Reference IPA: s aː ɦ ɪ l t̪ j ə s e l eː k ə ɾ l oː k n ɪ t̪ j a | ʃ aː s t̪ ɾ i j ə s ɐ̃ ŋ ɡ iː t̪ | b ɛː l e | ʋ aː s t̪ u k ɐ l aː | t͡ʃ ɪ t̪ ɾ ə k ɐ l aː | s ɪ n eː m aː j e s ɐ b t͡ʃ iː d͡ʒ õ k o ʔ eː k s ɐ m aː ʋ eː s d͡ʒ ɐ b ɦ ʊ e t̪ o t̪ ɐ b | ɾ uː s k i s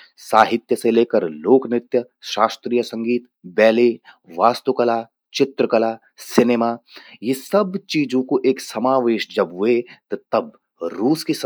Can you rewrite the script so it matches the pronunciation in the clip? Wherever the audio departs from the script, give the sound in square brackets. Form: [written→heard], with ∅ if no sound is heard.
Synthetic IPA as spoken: s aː ɦ ɪ [l→∅] t̪ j ə s e l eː k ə ɾ l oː k n ɪ t̪ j [a→ə] | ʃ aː s t̪ ɾ i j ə s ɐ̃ ŋ ɡ iː t̪ | b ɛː l e | ʋ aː s t̪ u k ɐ l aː | t͡ʃ ɪ t̪ ɾ ə k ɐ l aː | s ɪ n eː m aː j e s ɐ b t͡ʃ iː d͡ʒ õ k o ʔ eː k s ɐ m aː ʋ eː [s→ʃ] d͡ʒ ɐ b ɦ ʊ e t̪ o t̪ ɐ b | ɾ uː s k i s